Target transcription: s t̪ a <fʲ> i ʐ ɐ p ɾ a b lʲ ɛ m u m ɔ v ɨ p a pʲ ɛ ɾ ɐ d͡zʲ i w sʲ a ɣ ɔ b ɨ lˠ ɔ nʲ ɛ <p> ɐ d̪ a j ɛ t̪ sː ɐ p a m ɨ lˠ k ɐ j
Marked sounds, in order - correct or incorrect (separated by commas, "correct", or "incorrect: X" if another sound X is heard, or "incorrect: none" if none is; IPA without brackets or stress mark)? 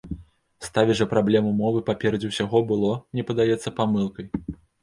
incorrect: vʲ, correct